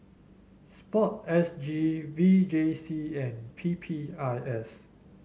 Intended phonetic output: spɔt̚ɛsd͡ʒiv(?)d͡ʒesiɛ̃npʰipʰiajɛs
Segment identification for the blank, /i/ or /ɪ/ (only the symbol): i